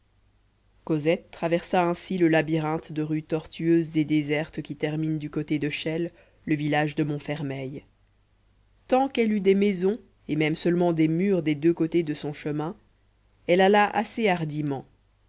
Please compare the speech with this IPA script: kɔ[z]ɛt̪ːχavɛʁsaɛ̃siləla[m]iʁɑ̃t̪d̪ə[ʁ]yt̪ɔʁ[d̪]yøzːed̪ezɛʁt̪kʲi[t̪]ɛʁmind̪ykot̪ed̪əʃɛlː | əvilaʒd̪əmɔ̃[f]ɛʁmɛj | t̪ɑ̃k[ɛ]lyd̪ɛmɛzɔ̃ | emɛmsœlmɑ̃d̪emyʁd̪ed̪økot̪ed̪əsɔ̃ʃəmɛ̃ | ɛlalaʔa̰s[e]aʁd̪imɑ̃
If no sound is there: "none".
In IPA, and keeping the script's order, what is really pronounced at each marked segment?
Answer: z, b, ʁ, t̪, t̪, f, ɛ, e

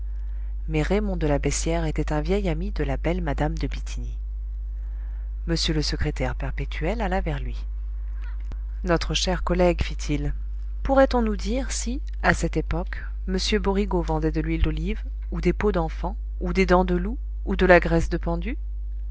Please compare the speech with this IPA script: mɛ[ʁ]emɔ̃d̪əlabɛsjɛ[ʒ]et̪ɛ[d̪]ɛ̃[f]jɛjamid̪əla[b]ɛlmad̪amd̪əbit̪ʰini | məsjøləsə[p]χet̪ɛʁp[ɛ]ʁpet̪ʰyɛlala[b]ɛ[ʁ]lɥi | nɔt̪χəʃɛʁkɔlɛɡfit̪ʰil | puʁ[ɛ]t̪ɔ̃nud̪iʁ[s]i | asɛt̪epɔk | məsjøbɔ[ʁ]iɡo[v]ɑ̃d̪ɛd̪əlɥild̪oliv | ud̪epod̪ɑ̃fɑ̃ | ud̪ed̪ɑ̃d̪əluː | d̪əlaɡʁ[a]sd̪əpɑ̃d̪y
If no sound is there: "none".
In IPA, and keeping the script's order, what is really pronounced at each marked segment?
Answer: ʁ, ʁ, t̪, v, b, k, ɛ, v, ʁ, ɛ, s, ʁ, v, ɛ

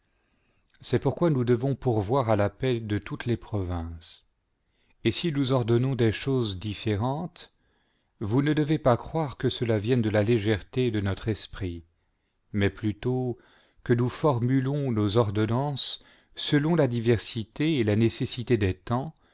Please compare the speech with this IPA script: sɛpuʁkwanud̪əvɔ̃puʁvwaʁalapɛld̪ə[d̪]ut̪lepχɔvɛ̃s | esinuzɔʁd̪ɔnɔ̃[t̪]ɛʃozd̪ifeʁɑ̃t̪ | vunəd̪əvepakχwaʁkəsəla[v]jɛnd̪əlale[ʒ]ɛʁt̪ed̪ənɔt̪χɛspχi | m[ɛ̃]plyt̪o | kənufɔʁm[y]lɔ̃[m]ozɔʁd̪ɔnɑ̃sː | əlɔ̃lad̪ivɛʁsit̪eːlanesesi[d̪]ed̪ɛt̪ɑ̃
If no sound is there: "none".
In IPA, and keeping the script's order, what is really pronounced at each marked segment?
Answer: t̪, d̪, v, ʒ, ɛ, y, n, t̪

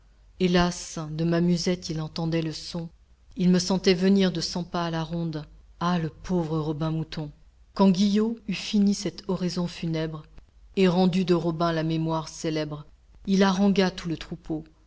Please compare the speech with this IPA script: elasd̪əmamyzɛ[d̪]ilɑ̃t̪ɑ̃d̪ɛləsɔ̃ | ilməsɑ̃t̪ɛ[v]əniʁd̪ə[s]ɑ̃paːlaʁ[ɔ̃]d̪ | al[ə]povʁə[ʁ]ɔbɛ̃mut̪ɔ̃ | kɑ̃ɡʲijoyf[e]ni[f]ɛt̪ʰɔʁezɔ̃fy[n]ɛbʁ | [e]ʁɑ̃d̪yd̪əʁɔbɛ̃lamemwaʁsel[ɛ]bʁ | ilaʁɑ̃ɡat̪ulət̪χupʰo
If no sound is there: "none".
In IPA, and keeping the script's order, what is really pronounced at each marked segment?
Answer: t̪, v, s, ɔ̃, ə, ʁ, i, s, n, e, ɛ

